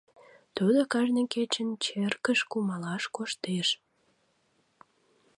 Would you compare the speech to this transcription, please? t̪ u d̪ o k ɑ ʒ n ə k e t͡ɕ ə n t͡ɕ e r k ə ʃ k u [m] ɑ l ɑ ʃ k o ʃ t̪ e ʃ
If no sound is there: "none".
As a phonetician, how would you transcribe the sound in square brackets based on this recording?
m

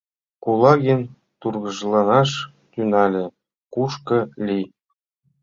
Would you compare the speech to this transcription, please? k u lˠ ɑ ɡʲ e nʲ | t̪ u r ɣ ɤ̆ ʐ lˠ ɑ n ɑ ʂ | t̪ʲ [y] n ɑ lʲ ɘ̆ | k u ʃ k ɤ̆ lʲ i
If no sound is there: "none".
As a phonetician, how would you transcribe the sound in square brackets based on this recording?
y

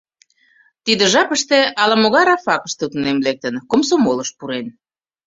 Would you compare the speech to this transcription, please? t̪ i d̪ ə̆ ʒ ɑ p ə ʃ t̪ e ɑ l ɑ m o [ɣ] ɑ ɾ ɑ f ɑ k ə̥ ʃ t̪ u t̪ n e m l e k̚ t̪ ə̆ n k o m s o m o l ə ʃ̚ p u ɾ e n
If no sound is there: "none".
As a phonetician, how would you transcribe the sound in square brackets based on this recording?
ɣ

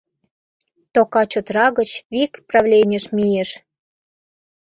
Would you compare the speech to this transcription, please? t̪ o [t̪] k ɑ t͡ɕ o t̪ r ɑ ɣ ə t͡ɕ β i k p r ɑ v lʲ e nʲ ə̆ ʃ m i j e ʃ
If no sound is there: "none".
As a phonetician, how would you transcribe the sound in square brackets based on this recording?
none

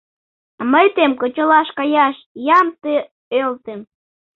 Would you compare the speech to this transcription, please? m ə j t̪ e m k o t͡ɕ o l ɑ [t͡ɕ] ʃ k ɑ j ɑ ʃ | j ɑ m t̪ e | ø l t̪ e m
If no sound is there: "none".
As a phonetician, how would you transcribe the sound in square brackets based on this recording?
none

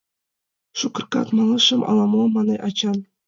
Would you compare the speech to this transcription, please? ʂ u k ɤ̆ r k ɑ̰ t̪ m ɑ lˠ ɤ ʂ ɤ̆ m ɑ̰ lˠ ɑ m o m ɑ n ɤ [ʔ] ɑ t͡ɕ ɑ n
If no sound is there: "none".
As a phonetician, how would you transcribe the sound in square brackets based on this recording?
ʔ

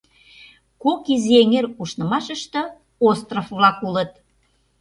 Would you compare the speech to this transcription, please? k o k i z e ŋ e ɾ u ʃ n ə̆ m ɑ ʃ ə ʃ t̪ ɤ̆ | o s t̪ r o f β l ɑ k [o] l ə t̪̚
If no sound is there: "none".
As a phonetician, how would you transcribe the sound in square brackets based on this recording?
u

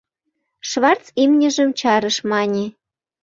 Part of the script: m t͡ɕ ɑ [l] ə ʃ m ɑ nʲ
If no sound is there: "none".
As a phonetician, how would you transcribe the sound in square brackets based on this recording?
ɾ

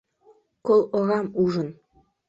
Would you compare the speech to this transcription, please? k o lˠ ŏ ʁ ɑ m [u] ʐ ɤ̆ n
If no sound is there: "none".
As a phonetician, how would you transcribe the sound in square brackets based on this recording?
u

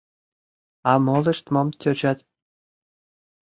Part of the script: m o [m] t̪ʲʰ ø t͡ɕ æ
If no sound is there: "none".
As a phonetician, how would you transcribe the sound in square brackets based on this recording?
m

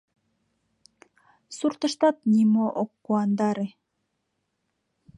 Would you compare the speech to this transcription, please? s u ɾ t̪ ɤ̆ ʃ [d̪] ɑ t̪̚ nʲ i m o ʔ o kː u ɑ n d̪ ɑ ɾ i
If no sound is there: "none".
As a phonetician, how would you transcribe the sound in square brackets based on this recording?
t̪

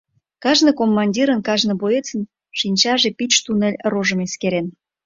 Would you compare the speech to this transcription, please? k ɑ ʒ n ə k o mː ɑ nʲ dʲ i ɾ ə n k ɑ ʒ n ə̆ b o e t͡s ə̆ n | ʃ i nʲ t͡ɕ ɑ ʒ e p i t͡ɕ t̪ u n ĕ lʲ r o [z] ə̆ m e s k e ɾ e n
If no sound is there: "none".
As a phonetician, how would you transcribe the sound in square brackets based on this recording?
ʒ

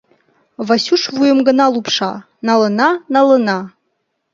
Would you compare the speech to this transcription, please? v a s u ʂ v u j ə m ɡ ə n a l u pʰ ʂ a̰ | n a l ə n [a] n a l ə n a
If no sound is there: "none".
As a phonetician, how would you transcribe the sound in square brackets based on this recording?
a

